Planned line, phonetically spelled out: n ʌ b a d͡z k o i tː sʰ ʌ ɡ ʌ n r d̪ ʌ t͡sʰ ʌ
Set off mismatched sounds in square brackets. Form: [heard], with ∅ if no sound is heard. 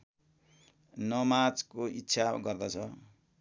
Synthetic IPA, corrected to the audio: n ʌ [m] a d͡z k o i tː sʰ [a] ɡ ʌ [∅] r d̪ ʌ t͡sʰ ʌ